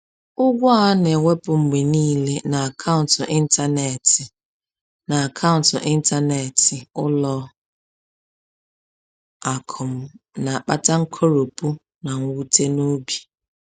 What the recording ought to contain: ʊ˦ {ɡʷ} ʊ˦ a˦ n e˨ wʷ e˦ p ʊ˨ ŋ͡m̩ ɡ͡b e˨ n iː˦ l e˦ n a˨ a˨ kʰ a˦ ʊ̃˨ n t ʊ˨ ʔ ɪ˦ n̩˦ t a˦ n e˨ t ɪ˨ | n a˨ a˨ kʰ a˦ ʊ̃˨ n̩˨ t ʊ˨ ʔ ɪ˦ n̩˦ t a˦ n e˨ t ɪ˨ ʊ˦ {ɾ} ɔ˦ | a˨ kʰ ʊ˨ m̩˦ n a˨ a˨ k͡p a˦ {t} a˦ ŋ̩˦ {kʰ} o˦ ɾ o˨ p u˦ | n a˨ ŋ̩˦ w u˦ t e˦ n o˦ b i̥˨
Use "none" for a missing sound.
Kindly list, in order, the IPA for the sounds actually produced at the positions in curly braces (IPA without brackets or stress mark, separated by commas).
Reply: ɡʷ, l, t, kʰ